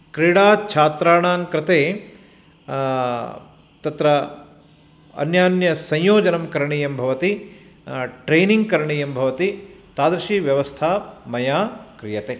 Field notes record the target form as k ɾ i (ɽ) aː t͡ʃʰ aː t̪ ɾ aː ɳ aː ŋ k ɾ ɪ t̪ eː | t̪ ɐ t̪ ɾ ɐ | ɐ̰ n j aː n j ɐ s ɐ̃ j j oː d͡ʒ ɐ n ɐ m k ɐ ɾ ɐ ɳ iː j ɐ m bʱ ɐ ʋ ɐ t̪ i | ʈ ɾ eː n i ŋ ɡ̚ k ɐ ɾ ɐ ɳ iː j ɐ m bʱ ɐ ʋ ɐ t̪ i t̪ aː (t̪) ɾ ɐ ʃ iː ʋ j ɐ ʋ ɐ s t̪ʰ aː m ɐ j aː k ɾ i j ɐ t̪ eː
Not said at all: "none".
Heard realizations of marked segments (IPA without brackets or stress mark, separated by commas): ɽ, d̪